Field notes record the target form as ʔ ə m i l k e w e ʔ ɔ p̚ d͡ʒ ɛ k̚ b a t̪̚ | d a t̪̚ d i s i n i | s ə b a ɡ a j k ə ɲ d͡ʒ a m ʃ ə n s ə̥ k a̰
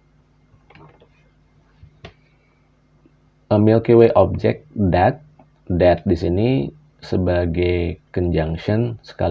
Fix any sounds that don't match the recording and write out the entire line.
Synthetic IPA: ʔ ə m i l k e w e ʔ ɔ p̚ d͡ʒ ɛ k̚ d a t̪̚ | d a t̪̚ d i s i n i | s ə b a ɡ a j k ə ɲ d͡ʒ a ŋ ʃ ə n s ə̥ k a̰